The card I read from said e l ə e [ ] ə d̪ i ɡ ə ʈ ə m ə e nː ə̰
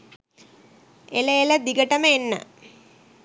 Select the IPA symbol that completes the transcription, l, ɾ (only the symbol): l